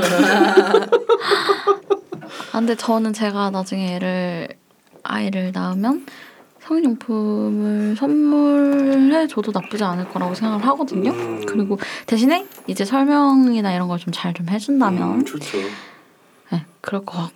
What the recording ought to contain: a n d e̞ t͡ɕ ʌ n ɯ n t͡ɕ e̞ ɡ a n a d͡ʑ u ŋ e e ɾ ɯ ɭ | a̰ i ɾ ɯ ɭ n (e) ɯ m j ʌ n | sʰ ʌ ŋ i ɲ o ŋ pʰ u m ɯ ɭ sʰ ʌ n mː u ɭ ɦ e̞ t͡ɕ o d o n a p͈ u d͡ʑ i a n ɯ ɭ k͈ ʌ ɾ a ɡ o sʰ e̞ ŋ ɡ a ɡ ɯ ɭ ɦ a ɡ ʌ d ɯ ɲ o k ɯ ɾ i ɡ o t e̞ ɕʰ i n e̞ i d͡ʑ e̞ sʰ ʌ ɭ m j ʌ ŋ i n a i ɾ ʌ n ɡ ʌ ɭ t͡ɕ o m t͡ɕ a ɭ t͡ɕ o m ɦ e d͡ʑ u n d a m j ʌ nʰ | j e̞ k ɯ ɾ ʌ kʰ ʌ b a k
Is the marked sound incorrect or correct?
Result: incorrect